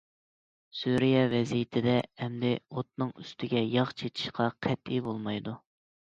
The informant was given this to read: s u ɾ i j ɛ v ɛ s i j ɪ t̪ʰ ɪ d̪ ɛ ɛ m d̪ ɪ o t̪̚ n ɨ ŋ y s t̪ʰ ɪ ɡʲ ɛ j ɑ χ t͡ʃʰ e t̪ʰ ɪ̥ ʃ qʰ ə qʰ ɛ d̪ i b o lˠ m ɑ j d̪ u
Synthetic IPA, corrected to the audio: s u ɾ i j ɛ v ɛ z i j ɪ t̪ʰ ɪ d̪ ɛ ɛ m d̪ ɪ o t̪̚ n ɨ ŋ y s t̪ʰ ɪ ɡʲ ɛ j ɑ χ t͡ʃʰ e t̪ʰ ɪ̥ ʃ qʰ ɑ qʰ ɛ t̪ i b o lˠ m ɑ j d̪ u